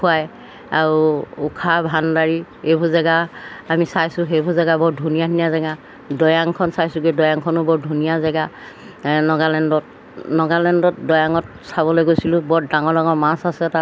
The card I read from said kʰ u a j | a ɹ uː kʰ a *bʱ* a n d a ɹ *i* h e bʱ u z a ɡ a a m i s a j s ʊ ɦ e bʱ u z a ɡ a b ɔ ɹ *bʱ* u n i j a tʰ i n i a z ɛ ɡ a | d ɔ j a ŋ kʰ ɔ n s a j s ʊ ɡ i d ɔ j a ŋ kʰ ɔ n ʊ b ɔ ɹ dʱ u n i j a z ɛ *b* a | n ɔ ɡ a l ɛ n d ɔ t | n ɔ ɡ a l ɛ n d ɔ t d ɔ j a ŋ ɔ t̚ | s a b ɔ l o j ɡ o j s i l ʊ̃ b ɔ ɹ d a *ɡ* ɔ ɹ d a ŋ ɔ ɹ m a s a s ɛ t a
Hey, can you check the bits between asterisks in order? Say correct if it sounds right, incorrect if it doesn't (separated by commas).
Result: correct, correct, incorrect, incorrect, incorrect